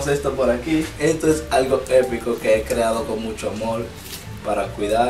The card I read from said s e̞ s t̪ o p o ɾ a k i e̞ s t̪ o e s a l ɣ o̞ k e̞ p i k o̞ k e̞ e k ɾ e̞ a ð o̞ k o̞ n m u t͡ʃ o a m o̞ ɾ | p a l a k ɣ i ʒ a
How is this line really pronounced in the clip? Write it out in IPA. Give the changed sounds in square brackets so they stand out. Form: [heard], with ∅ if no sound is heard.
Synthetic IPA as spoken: s e̞ s t̪ o p o ɾ a k i e̞ s t̪ o e s a l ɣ o̞ [∅] e̞ p i k o̞ k e̞ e k ɾ e̞ a ð o̞ k o̞ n m u t͡ʃ o a m o̞ ɾ | p a [ɾ] a k [w] i [ð] a